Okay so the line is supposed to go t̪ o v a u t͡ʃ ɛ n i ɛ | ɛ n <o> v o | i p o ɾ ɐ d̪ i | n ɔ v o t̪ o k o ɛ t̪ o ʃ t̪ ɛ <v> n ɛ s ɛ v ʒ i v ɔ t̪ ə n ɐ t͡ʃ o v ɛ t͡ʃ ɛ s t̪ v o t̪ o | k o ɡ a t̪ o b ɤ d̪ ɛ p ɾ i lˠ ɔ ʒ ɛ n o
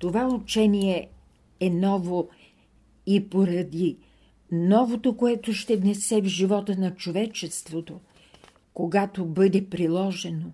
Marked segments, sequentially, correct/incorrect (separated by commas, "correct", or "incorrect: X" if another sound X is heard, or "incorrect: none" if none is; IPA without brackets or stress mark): incorrect: ɔ, correct